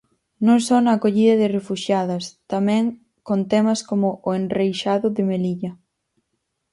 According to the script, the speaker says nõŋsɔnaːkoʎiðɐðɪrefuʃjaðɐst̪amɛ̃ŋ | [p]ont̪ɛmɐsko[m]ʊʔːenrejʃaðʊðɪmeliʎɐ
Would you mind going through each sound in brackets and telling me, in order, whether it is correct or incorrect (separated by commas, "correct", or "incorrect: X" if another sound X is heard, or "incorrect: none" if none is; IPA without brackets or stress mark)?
incorrect: k, correct